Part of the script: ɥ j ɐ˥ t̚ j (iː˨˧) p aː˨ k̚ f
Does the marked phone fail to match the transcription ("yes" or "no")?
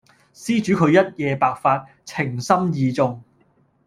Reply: yes